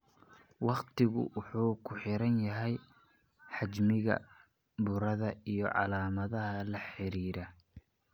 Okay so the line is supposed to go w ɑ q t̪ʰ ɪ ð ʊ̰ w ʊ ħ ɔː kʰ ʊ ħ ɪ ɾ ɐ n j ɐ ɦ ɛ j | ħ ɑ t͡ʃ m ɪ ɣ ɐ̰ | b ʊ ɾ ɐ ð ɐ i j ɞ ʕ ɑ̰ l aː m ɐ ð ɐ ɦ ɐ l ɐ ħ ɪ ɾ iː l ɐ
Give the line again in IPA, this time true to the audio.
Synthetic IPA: w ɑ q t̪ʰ ɪ ɣ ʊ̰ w ʊ ħ uː kʰ ʊ ħ ɪ ɾ ɐ n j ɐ ɦ ɛ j | ħ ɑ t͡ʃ m ɪ ɣ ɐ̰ | b ʊ ɾ ɐ ð ɐ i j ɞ ʕ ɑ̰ l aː m ɐ ð ɐ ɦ ɐ l ɐ ħ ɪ ɾ iː ɾ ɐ